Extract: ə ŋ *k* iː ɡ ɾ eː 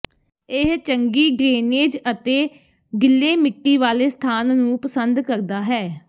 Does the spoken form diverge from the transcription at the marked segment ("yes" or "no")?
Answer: yes